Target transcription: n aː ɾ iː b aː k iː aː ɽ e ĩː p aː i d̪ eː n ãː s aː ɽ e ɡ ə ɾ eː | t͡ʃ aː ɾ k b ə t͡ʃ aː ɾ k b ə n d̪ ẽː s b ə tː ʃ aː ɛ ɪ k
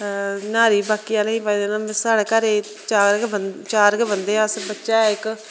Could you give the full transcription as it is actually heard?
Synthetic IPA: n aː ɾ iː b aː k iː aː l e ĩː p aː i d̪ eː n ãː s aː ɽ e k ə ɾ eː | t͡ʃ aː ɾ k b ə t͡ʃ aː ɾ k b ə n d̪ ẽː s b ə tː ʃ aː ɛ ɪ k